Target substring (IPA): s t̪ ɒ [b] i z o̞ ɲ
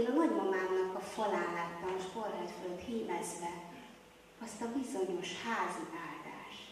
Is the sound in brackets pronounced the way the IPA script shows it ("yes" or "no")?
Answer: yes